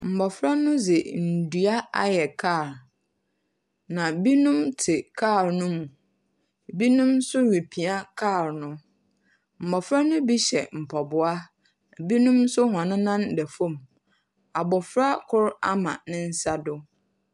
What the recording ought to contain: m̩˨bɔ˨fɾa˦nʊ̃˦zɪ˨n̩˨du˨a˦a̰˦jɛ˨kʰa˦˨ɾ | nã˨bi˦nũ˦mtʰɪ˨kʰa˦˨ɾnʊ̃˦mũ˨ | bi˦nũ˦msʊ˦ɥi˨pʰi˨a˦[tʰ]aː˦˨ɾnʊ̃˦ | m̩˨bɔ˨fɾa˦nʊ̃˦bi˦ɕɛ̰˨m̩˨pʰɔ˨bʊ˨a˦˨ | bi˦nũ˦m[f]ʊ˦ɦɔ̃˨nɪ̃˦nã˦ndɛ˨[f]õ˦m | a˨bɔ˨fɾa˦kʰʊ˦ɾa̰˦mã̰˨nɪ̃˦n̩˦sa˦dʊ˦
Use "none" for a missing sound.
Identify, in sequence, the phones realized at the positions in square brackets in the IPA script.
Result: kʰ, s, f

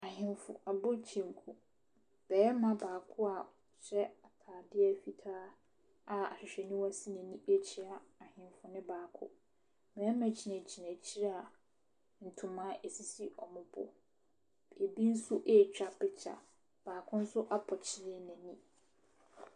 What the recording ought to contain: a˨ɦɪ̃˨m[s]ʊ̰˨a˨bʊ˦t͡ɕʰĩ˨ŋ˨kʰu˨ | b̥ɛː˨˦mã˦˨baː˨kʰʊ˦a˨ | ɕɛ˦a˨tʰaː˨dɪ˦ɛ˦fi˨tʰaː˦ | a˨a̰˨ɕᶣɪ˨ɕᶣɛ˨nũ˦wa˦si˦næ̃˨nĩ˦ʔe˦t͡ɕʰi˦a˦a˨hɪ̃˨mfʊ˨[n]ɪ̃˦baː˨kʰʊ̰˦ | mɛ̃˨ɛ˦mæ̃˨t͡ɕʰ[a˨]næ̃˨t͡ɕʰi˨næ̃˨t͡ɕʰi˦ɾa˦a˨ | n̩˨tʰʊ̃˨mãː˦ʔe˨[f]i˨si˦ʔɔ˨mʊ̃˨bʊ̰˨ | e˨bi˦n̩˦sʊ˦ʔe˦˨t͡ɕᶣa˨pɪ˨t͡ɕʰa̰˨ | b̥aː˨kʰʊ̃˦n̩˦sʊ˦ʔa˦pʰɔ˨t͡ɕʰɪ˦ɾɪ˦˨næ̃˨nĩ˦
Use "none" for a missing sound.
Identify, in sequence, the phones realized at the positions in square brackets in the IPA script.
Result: f, n, i˨, s

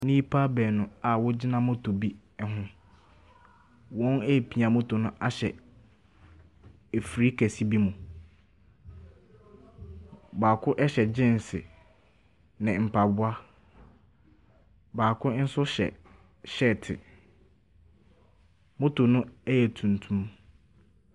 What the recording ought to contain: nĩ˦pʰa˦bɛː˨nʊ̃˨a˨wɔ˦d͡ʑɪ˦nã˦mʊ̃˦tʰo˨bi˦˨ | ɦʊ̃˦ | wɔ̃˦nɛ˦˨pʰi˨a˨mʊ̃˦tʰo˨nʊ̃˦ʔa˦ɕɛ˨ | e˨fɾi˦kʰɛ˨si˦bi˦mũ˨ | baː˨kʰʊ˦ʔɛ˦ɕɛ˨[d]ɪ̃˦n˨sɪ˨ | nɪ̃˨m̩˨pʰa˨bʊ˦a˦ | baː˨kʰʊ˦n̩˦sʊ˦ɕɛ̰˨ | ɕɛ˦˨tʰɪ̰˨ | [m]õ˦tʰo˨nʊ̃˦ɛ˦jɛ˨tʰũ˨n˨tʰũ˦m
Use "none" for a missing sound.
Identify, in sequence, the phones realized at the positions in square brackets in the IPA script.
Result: d͡ʑ, m

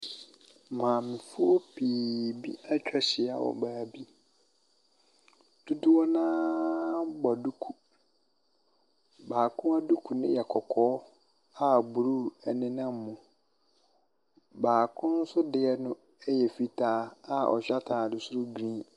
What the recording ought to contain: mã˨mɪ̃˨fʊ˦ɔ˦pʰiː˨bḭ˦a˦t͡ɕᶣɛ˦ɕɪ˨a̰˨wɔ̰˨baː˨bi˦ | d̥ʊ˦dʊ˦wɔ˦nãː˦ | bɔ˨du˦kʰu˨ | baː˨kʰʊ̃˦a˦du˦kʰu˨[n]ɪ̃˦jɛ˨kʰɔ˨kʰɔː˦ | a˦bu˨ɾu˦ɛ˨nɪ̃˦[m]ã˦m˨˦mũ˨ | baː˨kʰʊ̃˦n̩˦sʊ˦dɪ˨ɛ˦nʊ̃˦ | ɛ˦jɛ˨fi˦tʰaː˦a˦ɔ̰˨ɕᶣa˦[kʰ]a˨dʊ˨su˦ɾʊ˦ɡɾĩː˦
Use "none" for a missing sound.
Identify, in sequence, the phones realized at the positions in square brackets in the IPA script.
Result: n, n, tʰ

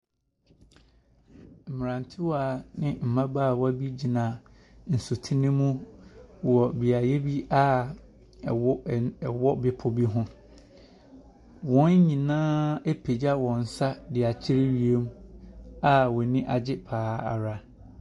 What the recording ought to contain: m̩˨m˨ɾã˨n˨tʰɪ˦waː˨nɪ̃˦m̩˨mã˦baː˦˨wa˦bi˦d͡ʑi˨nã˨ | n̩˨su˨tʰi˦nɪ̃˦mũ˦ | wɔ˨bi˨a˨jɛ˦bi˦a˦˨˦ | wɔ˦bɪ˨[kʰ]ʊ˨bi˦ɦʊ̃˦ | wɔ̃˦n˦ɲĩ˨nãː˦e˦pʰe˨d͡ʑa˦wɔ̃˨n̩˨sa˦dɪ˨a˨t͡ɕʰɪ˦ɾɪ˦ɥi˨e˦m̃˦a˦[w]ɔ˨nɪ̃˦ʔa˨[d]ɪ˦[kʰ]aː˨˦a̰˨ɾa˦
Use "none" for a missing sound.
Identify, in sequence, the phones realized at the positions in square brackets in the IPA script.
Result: pʰ, w, d͡ʑ, pʰ

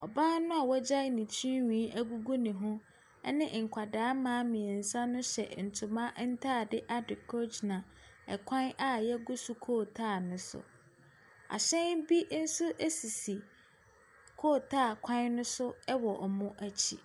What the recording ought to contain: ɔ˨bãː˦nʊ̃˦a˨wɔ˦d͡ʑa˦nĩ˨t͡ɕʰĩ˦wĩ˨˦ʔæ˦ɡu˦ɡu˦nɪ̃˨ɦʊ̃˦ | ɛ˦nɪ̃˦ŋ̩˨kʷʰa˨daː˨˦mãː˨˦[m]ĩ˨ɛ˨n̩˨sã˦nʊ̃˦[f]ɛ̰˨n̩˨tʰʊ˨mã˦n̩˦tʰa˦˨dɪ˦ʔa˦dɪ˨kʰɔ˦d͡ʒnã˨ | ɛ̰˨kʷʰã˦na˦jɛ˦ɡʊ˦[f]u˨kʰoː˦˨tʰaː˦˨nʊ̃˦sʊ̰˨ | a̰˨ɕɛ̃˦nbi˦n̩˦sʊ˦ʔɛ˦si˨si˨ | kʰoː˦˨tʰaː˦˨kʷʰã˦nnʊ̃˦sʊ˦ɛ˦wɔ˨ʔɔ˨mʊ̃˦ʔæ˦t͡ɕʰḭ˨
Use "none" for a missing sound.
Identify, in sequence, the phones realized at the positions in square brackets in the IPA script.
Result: m, ɕ, s

